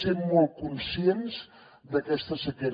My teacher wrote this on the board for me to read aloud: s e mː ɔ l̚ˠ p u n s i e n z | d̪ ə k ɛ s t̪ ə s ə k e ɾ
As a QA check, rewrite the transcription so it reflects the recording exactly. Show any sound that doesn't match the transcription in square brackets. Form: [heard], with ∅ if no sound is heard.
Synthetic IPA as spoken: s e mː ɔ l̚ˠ [k] u n s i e n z | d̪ ə k ɛ s t̪ ə s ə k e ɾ